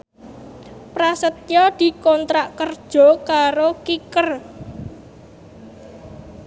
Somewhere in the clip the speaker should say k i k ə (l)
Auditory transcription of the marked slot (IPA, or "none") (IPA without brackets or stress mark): r